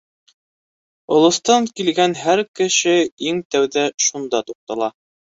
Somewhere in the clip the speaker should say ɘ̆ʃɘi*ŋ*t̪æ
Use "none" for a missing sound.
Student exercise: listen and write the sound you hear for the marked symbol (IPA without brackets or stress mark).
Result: ŋ